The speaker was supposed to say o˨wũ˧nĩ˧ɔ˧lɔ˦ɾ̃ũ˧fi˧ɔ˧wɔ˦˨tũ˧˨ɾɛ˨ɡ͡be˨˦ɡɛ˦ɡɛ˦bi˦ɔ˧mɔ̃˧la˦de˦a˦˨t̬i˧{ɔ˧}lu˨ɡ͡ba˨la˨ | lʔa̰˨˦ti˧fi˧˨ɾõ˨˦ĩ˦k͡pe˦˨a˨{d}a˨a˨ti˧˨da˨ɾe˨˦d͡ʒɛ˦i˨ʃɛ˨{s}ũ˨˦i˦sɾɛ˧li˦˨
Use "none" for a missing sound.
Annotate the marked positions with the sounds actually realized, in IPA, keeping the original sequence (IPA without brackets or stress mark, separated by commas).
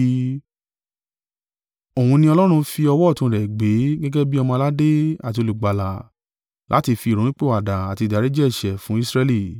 o˧, d, f